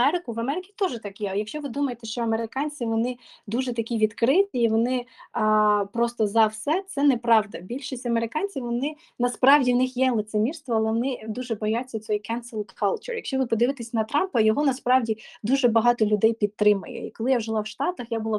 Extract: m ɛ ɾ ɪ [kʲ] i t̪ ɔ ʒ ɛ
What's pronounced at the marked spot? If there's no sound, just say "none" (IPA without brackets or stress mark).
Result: kʲ